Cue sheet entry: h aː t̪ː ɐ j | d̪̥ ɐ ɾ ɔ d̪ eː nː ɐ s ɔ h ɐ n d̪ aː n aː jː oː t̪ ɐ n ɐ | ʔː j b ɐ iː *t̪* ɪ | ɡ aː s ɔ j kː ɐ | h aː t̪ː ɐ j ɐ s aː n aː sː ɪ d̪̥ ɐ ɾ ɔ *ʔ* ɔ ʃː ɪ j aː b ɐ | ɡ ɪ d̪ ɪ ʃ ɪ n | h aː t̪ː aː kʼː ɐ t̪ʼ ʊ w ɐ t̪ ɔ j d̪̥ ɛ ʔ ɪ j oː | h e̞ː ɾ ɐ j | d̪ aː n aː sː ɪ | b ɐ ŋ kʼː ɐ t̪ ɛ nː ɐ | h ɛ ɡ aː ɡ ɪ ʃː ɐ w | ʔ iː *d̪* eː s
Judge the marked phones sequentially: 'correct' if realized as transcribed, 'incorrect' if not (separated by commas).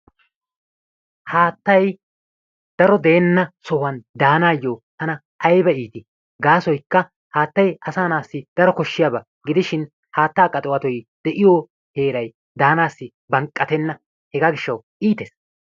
correct, incorrect, incorrect